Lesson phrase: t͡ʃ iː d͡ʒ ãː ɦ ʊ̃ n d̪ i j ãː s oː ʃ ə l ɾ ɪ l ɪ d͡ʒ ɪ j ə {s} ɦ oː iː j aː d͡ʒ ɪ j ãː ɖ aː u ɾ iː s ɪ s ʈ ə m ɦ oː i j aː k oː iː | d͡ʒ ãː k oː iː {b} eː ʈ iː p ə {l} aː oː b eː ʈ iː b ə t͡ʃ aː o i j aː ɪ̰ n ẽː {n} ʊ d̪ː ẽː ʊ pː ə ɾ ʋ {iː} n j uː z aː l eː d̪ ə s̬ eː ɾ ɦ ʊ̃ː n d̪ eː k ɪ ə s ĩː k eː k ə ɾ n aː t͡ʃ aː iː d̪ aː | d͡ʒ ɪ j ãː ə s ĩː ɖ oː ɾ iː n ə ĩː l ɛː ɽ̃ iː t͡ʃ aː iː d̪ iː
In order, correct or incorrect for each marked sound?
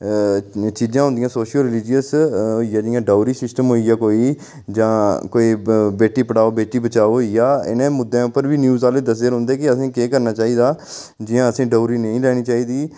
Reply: correct, correct, incorrect: ɽ, incorrect: m, correct

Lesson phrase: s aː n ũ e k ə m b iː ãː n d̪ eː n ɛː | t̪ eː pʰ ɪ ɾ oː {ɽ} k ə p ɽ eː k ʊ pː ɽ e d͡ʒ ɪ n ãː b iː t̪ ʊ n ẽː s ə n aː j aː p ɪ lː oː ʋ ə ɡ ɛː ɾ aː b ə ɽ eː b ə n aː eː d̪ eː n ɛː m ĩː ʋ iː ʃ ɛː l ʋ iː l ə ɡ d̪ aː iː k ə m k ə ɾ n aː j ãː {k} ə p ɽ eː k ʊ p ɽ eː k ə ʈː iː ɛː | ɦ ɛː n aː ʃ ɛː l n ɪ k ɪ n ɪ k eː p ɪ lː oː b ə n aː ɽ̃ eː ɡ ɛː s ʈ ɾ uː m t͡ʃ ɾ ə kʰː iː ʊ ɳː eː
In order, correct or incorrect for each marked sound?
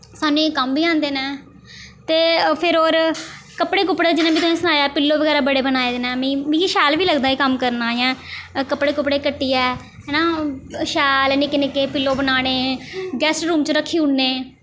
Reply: incorrect: ɾ, correct

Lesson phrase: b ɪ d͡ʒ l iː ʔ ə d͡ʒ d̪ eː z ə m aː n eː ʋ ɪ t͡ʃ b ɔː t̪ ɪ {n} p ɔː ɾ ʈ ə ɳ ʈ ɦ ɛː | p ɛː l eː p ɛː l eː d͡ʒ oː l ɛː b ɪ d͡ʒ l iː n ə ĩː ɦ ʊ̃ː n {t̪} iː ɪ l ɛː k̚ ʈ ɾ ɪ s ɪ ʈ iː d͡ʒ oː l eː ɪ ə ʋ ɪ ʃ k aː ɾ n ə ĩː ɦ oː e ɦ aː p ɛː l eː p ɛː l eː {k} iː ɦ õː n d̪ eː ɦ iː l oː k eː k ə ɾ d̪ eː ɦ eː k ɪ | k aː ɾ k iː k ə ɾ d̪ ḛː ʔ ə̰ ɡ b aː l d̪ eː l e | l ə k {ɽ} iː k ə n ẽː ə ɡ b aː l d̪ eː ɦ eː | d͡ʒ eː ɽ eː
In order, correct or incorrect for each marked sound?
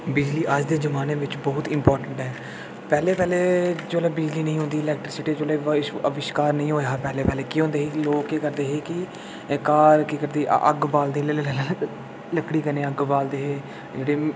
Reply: incorrect: m, incorrect: d̪, correct, correct

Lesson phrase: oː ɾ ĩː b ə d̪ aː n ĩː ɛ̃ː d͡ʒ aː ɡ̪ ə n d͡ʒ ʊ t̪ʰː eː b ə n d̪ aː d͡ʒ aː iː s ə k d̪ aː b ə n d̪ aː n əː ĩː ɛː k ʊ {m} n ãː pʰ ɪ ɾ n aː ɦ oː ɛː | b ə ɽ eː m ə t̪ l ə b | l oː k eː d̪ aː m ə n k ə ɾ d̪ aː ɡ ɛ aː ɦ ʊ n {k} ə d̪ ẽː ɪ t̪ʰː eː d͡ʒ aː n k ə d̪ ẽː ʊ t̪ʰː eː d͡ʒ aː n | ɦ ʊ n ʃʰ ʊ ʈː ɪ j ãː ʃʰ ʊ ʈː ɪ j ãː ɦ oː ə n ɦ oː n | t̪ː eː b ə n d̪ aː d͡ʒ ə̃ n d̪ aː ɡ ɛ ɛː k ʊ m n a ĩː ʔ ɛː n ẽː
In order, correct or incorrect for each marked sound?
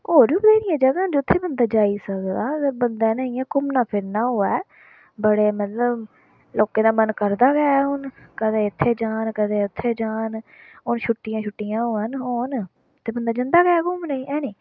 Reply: correct, correct

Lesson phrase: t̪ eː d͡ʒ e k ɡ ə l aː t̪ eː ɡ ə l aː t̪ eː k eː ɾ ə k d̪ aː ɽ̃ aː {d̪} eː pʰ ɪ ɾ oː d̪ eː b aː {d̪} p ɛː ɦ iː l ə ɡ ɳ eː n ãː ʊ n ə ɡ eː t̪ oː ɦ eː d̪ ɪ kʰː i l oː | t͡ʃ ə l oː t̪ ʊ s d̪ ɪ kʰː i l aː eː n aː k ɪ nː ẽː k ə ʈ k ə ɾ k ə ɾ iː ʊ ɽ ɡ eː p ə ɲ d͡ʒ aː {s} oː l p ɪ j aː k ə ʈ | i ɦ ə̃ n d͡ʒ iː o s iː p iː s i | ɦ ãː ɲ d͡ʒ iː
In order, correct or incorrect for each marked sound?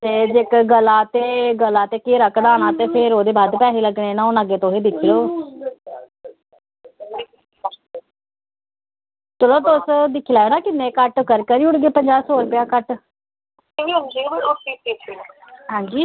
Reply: incorrect: t̪, correct, correct

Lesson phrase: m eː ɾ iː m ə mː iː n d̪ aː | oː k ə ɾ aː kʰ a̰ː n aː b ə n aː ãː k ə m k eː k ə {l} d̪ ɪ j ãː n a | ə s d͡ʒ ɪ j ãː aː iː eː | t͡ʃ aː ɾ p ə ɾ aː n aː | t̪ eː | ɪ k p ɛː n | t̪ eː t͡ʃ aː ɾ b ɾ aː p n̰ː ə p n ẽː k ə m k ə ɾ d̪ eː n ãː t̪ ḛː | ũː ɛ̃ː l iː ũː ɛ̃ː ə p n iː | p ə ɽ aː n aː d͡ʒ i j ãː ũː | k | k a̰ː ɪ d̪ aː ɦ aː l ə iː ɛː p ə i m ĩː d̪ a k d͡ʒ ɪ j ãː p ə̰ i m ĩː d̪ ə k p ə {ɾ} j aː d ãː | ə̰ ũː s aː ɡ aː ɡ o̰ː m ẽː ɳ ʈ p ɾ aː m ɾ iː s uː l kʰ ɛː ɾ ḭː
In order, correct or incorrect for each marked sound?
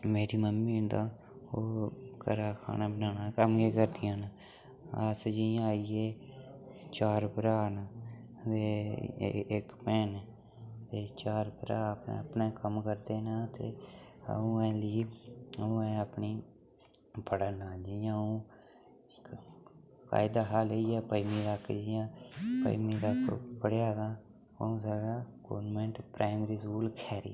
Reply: incorrect: ɾ, incorrect: ɽ

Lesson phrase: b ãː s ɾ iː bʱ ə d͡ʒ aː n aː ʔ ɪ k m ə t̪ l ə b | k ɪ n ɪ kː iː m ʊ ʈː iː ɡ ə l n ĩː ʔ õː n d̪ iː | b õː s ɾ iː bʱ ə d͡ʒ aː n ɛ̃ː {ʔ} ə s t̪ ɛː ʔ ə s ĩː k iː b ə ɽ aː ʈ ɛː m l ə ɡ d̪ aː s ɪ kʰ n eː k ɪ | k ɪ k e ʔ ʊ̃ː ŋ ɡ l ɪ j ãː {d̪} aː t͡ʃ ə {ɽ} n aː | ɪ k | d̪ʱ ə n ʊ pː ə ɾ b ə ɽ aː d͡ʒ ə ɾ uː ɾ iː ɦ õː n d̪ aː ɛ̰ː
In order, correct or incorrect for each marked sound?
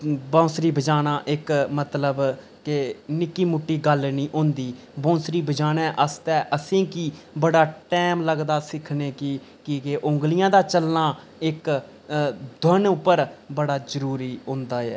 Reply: correct, correct, incorrect: l

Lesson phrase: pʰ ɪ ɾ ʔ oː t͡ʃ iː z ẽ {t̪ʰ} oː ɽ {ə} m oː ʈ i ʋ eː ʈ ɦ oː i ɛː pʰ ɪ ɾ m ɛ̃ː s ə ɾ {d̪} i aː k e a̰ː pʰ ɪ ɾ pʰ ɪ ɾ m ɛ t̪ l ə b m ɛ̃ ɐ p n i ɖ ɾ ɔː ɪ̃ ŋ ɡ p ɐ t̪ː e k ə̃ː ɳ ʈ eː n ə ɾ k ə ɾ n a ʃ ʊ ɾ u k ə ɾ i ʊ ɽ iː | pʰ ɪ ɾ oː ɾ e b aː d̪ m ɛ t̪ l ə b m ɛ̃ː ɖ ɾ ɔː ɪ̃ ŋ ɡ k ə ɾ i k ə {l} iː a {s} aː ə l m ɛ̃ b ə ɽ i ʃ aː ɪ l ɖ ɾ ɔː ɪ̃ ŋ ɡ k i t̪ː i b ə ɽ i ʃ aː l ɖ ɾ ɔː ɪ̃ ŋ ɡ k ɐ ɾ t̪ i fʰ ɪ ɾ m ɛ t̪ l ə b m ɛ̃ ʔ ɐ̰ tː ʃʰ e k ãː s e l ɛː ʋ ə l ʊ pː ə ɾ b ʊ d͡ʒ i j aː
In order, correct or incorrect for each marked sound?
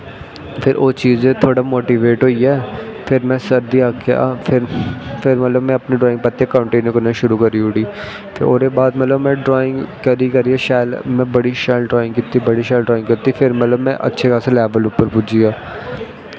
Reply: correct, incorrect: a, correct, incorrect: ɾ, incorrect: ʃ

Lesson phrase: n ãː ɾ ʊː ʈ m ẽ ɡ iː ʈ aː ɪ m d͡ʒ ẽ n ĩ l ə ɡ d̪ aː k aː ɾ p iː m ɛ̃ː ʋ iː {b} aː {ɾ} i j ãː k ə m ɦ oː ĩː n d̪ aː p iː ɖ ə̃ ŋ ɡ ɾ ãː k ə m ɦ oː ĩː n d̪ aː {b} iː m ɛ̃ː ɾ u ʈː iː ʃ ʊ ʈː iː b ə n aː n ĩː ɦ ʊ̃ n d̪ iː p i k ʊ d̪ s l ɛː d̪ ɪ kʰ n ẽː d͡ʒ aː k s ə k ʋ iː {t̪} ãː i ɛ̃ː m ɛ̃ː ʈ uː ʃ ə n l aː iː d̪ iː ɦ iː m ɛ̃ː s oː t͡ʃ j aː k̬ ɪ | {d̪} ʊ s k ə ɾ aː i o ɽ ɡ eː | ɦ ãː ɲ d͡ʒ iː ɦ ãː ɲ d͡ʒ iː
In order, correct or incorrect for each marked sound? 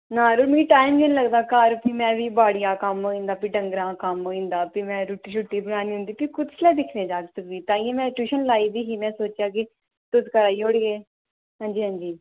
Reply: correct, incorrect: ɽ, incorrect: p, correct, incorrect: t̪

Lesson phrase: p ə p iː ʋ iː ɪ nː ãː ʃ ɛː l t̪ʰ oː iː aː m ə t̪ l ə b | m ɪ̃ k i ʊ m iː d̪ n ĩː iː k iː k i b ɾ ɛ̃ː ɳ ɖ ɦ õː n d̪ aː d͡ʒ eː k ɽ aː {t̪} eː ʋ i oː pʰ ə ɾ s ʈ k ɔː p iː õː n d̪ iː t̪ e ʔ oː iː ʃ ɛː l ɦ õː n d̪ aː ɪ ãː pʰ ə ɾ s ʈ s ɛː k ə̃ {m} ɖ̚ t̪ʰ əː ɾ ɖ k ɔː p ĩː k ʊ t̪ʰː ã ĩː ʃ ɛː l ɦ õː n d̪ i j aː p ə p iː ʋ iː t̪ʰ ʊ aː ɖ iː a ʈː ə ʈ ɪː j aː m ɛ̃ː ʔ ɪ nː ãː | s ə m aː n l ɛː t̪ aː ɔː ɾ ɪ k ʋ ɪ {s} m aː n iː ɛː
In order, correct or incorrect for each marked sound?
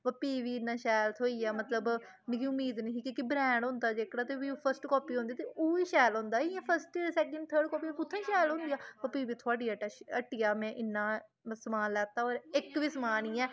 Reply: correct, incorrect: ɳ, correct

